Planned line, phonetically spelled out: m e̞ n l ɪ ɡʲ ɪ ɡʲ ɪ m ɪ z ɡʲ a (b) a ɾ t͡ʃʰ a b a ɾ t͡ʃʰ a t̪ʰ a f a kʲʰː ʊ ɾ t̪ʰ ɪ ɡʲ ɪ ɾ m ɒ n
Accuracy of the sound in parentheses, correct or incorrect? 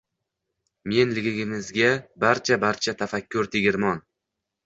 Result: correct